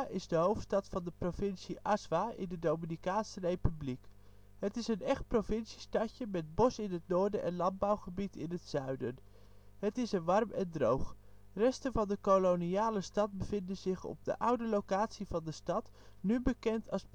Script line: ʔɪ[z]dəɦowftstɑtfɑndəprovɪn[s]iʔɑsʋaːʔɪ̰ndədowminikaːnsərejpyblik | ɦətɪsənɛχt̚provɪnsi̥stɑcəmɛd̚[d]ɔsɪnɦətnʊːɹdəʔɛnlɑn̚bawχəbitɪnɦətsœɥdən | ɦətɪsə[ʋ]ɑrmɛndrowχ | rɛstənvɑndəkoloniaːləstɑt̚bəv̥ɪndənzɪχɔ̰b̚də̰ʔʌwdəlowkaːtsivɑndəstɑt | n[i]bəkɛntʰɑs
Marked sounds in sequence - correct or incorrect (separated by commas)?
correct, correct, incorrect, correct, incorrect